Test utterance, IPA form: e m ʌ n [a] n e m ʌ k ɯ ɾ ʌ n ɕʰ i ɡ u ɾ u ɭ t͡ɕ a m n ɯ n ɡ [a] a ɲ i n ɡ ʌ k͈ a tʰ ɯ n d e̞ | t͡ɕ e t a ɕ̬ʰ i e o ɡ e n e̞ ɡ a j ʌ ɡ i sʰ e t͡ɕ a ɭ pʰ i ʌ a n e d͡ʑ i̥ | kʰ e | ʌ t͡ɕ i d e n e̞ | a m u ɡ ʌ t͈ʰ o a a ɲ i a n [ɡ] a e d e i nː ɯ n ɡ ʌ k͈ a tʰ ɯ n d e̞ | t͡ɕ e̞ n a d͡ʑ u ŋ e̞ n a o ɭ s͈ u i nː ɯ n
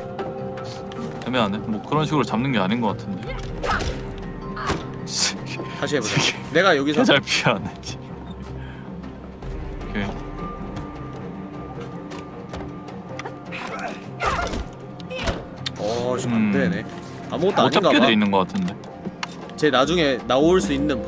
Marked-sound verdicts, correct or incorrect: correct, incorrect: e, correct

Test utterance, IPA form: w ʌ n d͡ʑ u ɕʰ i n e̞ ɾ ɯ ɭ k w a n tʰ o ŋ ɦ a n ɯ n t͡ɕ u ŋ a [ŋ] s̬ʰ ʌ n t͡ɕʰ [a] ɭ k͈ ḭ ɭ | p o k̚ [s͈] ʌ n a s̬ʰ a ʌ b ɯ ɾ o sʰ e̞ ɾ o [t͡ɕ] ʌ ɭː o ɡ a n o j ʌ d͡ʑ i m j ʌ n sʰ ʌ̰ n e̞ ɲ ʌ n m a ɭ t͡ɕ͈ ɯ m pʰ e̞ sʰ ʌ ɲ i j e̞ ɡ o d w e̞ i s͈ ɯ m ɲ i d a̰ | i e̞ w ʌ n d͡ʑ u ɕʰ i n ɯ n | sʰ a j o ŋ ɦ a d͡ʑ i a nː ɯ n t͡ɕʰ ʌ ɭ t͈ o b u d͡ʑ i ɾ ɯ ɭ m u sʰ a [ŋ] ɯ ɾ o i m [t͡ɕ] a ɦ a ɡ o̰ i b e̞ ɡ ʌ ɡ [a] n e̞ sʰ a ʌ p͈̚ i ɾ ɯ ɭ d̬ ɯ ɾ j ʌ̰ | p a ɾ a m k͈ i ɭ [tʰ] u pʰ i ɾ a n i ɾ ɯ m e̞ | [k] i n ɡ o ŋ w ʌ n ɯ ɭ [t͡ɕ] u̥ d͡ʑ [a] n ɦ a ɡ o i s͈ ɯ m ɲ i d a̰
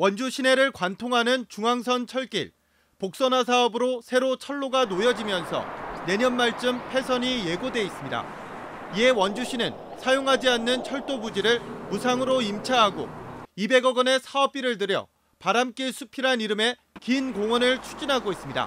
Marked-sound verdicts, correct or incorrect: correct, incorrect: ʌ, correct, incorrect: t͡ɕʰ, correct, incorrect: t͡ɕʰ, incorrect: ʌ, incorrect: sʰ, correct, incorrect: t͡ɕʰ, incorrect: i

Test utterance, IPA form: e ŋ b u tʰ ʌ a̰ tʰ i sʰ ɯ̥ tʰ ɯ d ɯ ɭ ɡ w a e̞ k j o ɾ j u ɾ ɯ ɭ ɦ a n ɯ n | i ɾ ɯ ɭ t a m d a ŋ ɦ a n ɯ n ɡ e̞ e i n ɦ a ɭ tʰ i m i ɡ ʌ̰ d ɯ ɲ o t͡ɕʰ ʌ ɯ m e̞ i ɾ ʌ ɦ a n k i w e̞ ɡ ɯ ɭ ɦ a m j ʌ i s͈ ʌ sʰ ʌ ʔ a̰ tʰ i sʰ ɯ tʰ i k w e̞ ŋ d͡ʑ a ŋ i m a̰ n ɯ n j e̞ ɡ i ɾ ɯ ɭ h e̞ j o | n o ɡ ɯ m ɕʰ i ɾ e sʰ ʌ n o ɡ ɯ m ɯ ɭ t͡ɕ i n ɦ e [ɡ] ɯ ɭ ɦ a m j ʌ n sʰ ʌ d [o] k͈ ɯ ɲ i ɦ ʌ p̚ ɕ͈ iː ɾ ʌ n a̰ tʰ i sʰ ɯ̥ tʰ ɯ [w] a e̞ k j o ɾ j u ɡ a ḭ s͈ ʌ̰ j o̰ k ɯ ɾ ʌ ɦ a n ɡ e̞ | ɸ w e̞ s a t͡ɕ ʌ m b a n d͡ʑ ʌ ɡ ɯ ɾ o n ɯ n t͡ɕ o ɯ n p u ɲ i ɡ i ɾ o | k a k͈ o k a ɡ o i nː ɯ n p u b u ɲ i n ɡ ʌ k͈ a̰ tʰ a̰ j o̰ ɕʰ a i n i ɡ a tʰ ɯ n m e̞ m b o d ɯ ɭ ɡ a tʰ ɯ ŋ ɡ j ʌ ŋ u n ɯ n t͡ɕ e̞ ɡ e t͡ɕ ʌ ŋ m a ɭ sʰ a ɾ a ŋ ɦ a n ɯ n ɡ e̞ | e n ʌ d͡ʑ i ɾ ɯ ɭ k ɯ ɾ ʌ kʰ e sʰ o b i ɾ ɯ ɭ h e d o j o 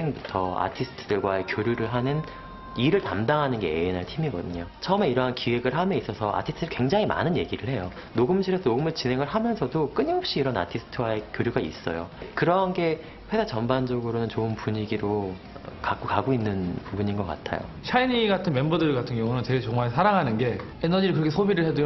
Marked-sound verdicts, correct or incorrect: incorrect: ŋ, correct, correct

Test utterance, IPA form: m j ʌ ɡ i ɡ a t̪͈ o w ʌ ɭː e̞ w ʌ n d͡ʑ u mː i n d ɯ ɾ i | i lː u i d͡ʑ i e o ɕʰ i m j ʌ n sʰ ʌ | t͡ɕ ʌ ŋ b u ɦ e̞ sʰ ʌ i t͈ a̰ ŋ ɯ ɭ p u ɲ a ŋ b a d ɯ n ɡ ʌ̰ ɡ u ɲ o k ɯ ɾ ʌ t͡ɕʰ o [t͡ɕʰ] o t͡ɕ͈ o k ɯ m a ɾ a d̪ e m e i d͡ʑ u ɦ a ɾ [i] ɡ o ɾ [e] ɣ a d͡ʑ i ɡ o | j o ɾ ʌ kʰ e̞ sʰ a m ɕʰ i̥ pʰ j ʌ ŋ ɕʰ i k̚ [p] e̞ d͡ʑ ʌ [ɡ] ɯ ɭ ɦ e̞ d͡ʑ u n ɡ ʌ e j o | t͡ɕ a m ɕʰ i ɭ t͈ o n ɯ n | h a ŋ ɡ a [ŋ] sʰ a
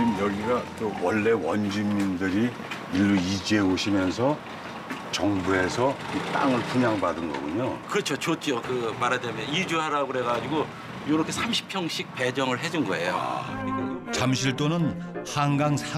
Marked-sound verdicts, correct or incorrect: incorrect: t͡ɕ, incorrect: a, correct, correct, incorrect: ŋ, correct

